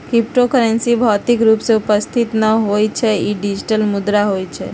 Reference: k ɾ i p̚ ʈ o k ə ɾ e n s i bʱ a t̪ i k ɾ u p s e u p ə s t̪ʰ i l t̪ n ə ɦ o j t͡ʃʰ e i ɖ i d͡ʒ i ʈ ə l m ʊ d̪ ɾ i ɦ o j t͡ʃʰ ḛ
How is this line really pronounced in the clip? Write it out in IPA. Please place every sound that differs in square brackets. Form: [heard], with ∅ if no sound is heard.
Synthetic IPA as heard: k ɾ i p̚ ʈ o k ə ɾ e n s i bʱ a t̪ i k ɾ u p s e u p ə s t̪ʰ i [∅] t̪ n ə ɦ o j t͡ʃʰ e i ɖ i d͡ʒ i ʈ ə l m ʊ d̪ ɾ [a] ɦ o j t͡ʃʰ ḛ